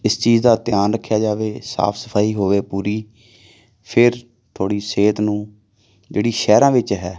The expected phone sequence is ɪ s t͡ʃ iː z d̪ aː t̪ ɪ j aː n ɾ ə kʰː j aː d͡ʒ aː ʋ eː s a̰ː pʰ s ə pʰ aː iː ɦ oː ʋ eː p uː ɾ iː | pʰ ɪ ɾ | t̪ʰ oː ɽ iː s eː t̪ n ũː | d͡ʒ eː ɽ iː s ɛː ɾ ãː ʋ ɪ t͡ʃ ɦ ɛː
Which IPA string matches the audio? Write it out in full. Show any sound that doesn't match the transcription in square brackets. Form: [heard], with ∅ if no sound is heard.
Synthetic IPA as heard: ɪ s t͡ʃ iː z d̪ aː t̪ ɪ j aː n ɾ ə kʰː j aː d͡ʒ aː ʋ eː s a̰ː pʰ s ə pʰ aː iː ɦ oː ʋ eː p uː ɾ iː | pʰ ɪ ɾ | t̪ʰ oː ɽ iː s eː t̪ n ũː | d͡ʒ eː ɽ iː [ʃ] ɛː ɾ ãː ʋ ɪ t͡ʃ ɦ ɛː